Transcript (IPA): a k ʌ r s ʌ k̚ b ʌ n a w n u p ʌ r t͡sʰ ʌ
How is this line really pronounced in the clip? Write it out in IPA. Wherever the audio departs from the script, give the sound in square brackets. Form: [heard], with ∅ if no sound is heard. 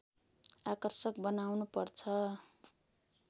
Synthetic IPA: a k ʌ r s ʌ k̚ b ʌ n a w n u p ʌ r t͡sʰ ʌ